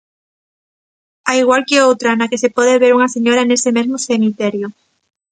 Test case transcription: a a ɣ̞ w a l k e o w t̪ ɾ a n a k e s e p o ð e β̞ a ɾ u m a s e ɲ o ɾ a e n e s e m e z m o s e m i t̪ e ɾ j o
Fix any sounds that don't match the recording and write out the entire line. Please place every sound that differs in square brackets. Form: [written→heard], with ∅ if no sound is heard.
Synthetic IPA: a [a→i] ɣ̞ w a l k e o w t̪ ɾ a n a k e s e p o ð e β̞ [a→e] ɾ u [m→ŋ] a s e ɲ o ɾ a e n e s e m e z m o s e m i t̪ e ɾ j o